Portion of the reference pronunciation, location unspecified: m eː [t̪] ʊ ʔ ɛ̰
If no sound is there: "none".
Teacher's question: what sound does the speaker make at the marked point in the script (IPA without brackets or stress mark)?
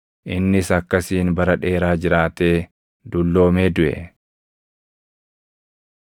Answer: d̪